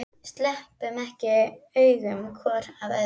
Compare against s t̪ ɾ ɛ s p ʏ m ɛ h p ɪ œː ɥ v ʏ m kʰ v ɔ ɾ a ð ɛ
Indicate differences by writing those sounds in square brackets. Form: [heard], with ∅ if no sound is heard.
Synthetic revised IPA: s t̪ [l] ɛ [h] p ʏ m ɛ h [c] ɪ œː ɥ [ɣ] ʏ m kʰ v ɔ ɾ a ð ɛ